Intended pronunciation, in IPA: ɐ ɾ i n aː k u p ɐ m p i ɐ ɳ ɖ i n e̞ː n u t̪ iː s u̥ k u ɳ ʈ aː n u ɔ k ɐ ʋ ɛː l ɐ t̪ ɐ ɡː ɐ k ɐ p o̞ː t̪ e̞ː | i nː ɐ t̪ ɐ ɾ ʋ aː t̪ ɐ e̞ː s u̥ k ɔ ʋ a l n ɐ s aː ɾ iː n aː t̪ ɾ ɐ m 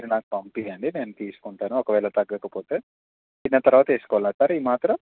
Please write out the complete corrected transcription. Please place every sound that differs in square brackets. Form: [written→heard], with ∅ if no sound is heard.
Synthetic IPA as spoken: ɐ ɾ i n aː k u p ɐ m p i ɐ ɳ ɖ i n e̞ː n u t̪ iː s u̥ k u ɳ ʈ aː n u ɔ k ɐ ʋ ɛː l ɐ t̪ ɐ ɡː ɐ k ɐ p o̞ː t̪ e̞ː | i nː ɐ t̪ ɐ ɾ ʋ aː t̪ ɐ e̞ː s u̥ k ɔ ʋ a l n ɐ s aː ɾ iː [n→m] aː t̪ ɾ ɐ m